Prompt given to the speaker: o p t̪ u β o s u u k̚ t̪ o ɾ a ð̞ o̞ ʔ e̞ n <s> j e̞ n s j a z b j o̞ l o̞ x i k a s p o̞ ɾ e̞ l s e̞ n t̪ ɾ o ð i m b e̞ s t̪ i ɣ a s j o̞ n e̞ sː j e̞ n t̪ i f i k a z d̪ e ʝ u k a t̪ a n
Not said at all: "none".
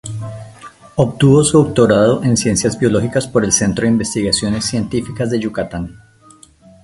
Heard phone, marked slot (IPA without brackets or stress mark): s